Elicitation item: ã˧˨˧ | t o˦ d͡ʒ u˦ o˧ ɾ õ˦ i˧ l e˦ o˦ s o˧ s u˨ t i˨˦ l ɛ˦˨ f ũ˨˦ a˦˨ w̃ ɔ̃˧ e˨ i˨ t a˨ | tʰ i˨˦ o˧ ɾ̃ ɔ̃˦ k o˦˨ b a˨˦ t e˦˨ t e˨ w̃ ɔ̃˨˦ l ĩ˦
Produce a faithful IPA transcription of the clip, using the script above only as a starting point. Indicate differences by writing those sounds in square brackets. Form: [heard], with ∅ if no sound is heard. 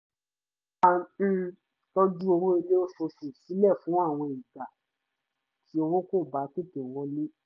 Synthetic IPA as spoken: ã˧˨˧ | t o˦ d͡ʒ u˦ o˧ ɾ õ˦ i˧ l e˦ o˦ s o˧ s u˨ [s] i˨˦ l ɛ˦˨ f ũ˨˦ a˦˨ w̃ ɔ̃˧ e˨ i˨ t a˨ | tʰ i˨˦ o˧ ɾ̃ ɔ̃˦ k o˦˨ b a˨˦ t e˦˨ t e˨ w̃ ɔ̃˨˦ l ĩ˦